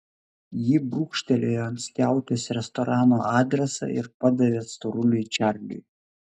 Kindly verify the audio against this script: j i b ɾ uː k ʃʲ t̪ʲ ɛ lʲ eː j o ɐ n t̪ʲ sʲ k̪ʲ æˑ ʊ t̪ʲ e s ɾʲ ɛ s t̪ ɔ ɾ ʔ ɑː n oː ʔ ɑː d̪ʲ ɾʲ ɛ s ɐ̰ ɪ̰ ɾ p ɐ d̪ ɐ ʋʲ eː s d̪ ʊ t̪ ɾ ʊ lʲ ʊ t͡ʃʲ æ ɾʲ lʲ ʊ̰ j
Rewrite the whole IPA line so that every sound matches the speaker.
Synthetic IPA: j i b ɾ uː k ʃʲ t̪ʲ ɛ lʲ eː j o ɐ n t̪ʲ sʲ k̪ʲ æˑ ʊ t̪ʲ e s ɾʲ ɛ s t̪ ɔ ɾ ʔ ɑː n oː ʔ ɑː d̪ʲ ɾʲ ɛ s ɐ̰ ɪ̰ ɾ p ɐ d̪ ɐ ʋʲ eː s t̪ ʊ ɾ ʊ lʲ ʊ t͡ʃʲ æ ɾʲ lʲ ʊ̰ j